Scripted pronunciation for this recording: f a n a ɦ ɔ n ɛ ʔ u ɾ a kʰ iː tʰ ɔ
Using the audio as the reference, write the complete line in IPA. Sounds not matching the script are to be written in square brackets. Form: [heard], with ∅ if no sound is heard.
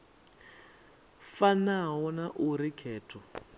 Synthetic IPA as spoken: f a n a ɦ ɔ n [a] ʔ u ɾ [i] kʰ [ɛː] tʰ ɔ